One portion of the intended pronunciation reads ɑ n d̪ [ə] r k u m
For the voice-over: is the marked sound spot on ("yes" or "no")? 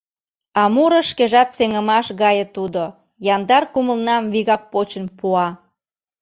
no